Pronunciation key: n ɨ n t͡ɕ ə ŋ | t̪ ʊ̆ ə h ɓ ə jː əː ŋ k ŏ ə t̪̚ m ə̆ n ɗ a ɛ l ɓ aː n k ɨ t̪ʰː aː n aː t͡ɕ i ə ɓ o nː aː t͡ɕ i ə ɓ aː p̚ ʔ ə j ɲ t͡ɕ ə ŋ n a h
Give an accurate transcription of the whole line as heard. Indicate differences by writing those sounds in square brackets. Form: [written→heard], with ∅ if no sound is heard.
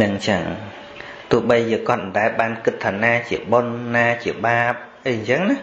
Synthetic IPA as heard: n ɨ [n→ŋ] t͡ɕ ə ŋ | t̪ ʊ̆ ə h ɓ ə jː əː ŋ k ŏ ə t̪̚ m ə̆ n ɗ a ɛ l ɓ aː n k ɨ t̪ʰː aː n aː t͡ɕ i ə ɓ o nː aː t͡ɕ i ə ɓ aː p̚ ʔ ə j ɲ t͡ɕ ə ŋ n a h